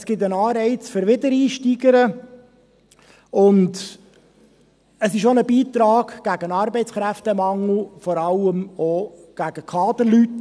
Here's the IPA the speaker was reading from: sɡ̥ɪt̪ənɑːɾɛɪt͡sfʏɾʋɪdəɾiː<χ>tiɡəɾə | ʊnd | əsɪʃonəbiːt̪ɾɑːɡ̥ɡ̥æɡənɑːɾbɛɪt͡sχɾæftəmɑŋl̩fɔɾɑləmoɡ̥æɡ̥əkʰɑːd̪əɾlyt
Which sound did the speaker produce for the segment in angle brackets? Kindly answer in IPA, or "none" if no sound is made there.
ʃ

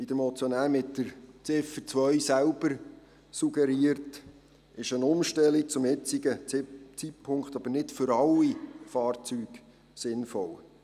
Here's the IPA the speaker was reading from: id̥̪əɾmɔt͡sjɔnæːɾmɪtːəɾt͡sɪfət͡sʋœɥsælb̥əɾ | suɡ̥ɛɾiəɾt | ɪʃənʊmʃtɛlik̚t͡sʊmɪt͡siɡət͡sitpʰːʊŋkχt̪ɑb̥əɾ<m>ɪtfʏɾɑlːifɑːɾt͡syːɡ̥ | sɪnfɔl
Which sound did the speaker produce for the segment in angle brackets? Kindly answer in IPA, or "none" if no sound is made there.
n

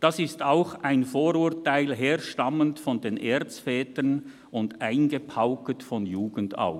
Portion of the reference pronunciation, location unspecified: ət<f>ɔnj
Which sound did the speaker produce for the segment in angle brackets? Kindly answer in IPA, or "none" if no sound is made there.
f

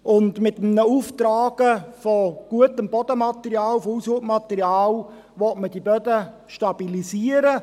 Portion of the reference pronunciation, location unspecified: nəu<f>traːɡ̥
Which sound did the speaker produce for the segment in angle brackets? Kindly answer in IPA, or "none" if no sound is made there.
f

